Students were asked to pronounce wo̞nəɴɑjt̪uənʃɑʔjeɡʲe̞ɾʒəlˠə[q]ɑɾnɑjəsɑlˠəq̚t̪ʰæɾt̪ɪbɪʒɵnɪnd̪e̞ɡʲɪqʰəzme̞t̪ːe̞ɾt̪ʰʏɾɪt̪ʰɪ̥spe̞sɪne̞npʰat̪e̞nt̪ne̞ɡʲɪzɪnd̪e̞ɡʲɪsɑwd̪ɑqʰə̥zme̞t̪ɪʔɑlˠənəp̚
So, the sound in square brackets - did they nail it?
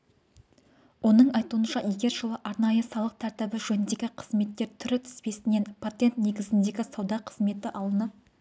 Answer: no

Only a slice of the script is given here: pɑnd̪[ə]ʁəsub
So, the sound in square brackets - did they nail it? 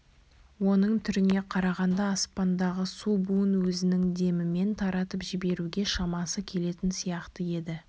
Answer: no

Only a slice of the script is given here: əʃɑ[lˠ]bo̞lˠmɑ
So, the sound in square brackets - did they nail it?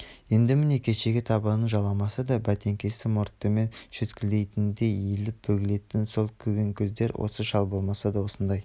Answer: yes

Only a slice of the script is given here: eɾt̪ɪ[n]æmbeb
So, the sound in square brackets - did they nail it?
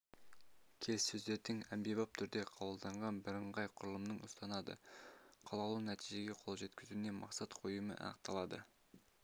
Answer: no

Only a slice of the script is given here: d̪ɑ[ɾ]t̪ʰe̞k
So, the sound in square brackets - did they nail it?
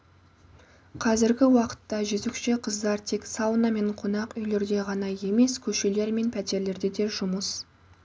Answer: yes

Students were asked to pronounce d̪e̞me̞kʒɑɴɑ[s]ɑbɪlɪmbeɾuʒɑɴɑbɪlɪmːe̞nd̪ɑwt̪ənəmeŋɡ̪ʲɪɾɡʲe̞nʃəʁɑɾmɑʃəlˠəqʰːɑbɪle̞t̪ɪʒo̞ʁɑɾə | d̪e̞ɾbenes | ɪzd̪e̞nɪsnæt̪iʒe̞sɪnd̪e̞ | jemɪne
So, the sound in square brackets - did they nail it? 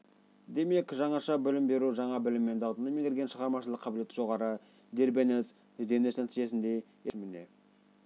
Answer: no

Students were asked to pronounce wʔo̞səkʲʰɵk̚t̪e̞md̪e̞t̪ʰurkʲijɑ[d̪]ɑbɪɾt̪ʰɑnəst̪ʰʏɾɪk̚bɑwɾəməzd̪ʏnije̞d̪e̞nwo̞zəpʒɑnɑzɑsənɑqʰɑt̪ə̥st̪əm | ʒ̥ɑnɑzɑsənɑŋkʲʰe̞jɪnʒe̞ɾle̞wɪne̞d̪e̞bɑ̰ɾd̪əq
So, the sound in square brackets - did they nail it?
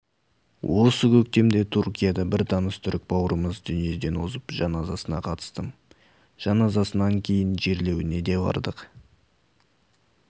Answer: yes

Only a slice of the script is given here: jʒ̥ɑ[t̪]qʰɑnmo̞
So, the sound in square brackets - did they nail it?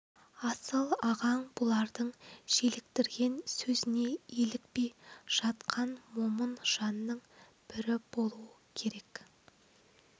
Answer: yes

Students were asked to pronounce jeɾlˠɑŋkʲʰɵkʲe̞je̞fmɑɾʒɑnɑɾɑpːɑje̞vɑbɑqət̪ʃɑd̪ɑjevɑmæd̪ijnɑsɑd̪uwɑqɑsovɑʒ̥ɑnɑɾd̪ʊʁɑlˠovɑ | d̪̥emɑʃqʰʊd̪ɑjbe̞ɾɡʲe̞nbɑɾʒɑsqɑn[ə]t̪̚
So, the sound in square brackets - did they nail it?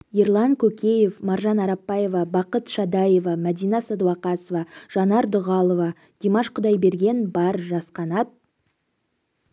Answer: no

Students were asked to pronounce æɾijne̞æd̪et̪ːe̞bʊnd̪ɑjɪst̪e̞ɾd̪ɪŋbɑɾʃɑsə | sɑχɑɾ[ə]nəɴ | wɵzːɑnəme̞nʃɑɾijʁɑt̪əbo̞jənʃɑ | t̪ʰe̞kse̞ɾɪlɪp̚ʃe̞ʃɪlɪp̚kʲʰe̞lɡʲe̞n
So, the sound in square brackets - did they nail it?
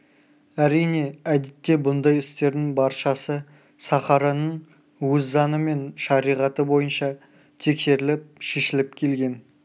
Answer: no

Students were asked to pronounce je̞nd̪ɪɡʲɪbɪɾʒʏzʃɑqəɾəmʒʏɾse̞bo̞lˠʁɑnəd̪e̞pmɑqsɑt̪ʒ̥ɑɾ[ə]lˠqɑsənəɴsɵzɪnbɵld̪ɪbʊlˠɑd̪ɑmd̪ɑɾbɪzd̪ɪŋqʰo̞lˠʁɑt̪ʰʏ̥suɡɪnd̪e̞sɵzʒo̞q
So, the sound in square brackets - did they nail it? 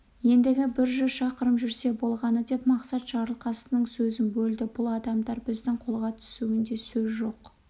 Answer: yes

